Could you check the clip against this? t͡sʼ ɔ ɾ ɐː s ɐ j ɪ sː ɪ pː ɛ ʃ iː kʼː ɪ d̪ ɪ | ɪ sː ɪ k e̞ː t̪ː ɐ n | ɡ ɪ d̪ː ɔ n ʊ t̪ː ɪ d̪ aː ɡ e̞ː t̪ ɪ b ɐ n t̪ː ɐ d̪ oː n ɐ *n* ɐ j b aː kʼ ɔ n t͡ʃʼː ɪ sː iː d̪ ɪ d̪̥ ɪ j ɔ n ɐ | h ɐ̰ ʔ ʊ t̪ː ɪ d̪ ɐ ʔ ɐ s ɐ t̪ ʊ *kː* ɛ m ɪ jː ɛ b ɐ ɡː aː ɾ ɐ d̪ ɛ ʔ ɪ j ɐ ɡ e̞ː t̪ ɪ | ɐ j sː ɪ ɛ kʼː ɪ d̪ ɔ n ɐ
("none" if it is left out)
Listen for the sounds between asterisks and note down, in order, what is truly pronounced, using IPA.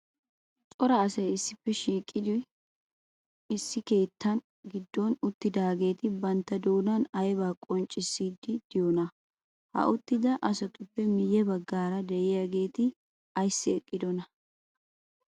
n, pː

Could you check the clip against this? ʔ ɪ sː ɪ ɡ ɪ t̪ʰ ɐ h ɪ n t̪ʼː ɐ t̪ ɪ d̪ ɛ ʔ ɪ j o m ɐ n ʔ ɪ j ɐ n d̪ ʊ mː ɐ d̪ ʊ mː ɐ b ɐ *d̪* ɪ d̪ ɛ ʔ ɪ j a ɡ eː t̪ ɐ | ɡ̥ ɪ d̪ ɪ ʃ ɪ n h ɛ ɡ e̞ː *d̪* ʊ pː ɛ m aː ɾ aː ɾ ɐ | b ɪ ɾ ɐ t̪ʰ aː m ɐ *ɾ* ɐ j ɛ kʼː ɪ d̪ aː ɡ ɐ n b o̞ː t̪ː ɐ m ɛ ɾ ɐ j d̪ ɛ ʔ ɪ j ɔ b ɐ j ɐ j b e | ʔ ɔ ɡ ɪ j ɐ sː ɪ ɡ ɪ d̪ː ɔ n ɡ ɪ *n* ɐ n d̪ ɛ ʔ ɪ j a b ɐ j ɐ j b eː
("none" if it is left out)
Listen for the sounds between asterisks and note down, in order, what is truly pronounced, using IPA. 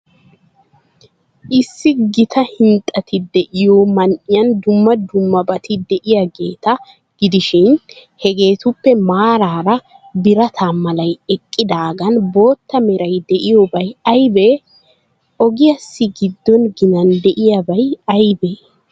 t̪, t̪, l, n

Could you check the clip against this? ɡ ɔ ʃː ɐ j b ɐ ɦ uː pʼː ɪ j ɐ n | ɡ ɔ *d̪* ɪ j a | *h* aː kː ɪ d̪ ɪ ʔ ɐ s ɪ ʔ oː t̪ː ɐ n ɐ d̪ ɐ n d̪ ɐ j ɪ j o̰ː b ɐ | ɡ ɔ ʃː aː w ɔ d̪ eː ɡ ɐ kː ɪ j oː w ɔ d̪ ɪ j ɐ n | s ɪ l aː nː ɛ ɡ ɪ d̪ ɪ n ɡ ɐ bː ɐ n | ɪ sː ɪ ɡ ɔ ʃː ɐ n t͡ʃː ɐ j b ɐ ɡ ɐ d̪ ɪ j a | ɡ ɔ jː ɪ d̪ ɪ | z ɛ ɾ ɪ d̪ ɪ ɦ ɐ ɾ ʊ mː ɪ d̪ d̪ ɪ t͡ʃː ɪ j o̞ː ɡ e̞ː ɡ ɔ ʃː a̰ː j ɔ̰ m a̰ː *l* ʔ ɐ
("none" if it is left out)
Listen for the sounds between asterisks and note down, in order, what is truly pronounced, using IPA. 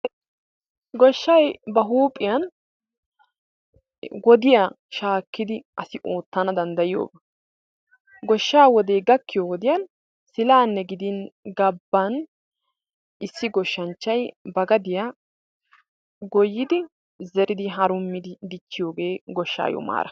d̪, ʃ, ɾ

